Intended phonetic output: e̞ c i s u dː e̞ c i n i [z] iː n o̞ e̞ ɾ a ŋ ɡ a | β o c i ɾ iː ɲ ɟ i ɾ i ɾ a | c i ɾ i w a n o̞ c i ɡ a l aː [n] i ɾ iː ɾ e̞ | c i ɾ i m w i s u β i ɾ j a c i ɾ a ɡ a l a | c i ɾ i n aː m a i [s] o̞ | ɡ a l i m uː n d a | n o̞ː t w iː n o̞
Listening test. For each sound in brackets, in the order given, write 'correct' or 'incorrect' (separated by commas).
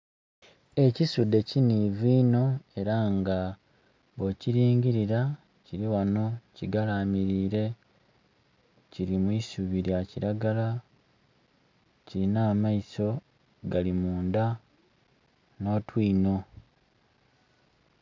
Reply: incorrect, incorrect, correct